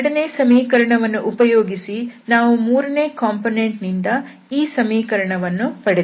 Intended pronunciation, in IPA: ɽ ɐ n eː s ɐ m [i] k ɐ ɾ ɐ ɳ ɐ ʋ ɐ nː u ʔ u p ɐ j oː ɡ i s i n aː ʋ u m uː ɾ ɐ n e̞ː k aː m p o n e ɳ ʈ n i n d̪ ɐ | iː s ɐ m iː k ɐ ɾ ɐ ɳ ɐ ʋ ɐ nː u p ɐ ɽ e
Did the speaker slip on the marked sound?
yes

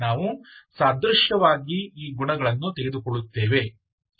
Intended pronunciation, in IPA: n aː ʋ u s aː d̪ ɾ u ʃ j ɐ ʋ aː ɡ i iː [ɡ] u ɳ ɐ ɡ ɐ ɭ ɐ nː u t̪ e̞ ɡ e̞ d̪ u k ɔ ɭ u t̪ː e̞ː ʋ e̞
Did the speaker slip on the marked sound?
no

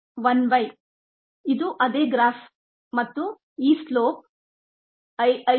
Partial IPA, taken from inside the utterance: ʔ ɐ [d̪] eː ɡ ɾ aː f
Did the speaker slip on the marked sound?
no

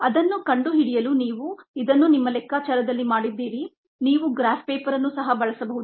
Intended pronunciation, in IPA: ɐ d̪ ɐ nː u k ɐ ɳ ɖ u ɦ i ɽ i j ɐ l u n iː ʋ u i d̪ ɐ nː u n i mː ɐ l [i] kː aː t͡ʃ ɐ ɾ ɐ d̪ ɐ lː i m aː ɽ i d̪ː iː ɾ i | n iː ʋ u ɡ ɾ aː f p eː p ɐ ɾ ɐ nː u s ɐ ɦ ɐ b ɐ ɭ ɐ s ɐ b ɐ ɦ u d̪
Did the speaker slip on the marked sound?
yes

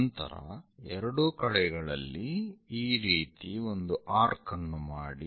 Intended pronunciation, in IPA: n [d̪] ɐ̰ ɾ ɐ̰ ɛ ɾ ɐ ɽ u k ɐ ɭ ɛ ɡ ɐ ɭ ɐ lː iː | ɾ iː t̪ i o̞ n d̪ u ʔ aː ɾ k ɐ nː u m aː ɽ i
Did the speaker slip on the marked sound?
yes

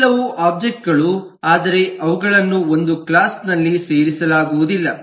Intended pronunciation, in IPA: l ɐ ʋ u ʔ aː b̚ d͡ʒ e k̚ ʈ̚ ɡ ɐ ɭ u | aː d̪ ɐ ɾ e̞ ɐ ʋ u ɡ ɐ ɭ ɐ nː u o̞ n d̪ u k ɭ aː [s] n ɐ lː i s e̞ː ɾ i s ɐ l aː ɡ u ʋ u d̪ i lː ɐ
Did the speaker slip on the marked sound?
no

